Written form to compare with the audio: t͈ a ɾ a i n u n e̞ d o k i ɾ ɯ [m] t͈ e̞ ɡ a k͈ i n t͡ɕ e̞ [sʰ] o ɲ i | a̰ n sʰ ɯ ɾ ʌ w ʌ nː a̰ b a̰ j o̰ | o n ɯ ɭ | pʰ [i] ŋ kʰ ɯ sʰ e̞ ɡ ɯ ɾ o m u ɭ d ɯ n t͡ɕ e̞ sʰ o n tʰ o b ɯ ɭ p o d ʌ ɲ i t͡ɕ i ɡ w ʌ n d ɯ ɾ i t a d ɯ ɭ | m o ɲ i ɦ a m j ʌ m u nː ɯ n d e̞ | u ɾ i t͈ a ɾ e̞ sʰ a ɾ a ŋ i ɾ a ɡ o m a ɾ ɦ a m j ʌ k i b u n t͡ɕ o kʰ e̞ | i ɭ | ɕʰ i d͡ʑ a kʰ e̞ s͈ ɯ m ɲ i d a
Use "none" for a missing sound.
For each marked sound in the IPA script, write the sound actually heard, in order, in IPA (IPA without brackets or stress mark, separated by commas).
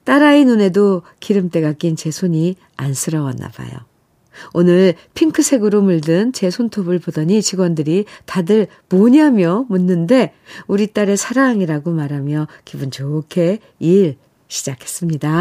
m, sʰ, i